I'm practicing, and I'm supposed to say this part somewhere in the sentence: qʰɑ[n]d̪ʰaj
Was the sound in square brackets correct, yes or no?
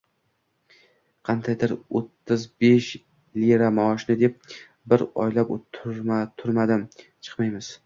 yes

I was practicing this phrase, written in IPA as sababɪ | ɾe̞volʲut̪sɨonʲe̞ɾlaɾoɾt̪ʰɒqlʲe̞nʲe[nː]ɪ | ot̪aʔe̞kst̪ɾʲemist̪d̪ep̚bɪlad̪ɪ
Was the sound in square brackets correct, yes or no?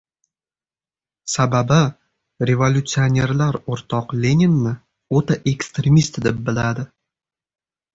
yes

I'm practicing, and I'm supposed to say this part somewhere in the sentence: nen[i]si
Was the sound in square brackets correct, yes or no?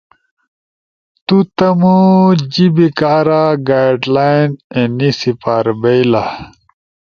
yes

